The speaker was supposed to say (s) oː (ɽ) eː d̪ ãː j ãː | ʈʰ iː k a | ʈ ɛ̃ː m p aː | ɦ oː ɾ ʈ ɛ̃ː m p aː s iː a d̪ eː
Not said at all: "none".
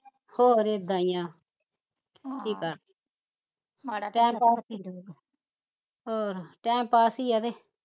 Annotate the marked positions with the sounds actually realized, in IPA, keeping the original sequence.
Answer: h, ɾ

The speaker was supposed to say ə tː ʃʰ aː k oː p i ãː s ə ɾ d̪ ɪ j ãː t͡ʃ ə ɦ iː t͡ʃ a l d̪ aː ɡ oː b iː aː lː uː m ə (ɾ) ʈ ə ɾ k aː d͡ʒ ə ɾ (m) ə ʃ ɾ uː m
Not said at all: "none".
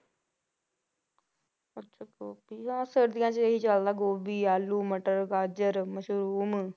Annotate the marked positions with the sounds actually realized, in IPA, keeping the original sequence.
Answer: none, m

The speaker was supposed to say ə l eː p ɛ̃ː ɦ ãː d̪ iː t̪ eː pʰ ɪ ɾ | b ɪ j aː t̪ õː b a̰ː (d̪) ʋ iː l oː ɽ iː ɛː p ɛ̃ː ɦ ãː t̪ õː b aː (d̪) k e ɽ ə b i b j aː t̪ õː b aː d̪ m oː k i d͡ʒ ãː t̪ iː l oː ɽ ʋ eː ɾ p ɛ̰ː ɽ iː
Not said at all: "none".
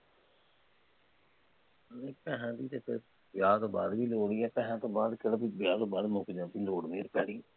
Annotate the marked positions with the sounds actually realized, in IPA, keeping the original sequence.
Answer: d̪, d̪

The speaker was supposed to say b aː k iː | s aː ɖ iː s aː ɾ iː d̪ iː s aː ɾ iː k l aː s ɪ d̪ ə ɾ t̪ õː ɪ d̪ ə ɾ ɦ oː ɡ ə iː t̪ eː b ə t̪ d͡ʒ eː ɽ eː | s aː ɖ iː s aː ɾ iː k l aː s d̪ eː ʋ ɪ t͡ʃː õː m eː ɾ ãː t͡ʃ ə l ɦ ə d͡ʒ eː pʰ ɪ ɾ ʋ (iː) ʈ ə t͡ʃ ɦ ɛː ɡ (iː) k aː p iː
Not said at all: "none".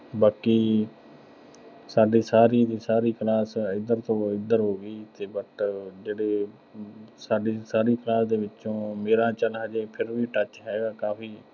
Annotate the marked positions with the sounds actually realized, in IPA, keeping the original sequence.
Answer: iː, aː

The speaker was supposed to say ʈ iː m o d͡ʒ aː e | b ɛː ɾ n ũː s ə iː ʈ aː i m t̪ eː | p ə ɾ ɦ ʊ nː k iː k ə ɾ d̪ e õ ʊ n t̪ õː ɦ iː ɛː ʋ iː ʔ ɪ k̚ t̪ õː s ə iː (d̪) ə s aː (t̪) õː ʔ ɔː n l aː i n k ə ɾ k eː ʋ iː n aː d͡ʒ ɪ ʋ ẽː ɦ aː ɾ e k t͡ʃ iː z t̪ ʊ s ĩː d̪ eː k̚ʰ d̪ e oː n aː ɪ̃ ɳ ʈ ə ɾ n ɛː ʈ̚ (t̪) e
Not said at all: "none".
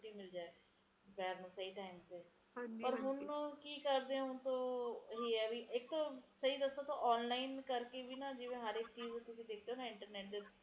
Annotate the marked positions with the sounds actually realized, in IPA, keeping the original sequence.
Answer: d̪, t̪, d̪

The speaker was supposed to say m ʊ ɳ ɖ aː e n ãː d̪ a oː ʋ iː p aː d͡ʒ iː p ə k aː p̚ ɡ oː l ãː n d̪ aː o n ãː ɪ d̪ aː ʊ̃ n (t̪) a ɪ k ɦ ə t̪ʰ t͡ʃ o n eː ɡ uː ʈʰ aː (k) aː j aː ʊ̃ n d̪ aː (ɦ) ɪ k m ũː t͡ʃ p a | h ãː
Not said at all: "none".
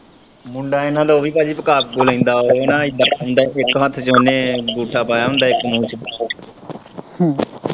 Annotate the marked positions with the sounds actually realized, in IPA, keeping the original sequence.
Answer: d̪, p, none

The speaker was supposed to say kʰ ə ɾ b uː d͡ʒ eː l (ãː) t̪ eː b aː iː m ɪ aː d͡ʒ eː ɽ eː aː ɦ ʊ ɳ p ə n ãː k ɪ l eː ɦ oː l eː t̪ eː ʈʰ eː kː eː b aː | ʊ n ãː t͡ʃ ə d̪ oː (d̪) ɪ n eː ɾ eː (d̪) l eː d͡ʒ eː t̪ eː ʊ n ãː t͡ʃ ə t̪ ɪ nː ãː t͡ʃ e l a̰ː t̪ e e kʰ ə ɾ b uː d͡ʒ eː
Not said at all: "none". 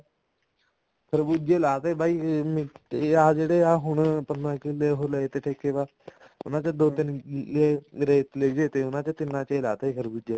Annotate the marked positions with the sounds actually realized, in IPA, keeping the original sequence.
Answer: aː, t̪, t̪

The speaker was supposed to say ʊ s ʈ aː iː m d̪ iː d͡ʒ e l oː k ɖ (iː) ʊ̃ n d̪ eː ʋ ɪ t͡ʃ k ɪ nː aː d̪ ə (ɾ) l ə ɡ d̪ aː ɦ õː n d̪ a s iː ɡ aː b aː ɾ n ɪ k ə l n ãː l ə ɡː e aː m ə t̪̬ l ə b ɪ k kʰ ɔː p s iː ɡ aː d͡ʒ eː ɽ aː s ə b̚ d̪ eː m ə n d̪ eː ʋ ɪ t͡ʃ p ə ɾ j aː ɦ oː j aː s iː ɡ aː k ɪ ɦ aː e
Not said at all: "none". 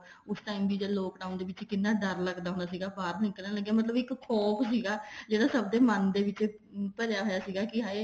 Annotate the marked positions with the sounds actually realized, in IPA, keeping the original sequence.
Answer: aː, ɾ

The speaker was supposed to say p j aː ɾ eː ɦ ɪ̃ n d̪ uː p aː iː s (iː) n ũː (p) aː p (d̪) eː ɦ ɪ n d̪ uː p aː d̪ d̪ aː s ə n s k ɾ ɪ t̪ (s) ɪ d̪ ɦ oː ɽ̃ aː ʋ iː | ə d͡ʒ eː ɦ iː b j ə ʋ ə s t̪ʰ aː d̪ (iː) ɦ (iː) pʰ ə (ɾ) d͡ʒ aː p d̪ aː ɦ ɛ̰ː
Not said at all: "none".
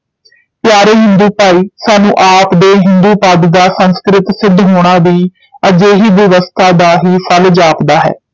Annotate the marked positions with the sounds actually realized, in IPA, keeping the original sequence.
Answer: aː, ʔ, d̪, s, aː, iː, l

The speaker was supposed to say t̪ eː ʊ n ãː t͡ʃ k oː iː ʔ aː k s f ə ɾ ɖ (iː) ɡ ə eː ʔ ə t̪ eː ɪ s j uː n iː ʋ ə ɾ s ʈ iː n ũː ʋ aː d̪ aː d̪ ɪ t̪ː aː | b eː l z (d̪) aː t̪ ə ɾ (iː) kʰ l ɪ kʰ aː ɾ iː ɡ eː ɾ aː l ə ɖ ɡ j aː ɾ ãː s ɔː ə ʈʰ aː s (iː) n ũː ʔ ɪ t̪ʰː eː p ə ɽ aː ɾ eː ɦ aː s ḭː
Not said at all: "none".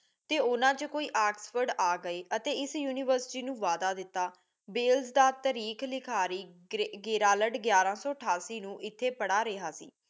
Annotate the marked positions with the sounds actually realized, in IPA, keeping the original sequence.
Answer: aː, d̪, iː, iː

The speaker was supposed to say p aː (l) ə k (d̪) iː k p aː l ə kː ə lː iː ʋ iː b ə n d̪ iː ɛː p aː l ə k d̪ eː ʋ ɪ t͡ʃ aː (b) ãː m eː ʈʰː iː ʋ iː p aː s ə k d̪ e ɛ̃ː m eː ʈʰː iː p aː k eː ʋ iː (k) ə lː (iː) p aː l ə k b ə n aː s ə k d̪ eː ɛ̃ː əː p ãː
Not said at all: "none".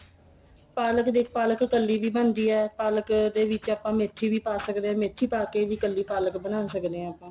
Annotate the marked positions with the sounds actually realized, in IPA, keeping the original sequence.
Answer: l, d̪, p, k, iː

